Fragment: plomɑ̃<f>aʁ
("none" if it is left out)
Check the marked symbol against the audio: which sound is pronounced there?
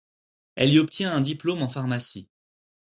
f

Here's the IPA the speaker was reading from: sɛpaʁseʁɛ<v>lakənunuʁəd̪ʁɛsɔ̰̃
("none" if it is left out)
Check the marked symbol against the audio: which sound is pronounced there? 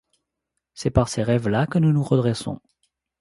v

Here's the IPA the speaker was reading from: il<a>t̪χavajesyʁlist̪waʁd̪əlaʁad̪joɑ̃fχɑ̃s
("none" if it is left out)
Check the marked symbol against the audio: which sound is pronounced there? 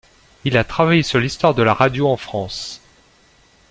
a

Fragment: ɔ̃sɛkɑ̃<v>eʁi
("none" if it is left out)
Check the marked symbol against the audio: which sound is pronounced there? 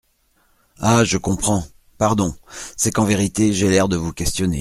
v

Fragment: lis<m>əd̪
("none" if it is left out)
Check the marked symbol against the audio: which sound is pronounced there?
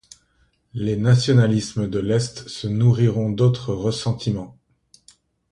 m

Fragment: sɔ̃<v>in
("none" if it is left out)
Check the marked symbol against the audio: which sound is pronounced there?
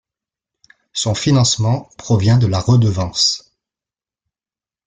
f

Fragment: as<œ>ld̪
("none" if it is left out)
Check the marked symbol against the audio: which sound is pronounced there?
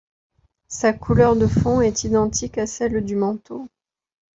ɛ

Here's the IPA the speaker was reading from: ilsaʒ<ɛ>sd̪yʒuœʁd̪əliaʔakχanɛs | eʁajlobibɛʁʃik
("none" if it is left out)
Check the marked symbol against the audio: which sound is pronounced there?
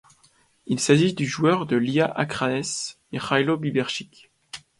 i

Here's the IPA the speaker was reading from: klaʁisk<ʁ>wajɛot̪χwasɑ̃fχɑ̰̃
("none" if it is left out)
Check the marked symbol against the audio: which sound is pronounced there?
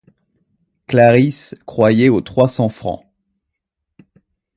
χ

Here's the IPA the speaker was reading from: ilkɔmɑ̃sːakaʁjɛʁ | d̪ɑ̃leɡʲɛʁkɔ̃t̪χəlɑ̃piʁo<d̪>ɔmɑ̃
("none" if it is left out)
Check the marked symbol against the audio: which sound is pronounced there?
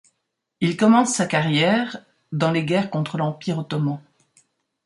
t̪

